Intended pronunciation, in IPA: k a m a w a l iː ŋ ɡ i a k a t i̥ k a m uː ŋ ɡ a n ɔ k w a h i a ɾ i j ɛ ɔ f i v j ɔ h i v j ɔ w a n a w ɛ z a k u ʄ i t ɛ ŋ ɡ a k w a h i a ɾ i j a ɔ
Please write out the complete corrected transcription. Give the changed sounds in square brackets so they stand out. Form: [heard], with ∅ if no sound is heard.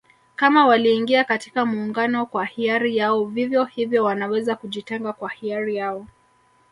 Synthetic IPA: k a m a w a l iː ŋ ɡ i a k a t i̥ k a m uː ŋ ɡ a n ɔ k w a h i a ɾ i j [a] ɔ [v] i v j ɔ h i v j ɔ w a n a w ɛ z a k u ʄ i t ɛ ŋ ɡ a k w a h i a ɾ i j a ɔ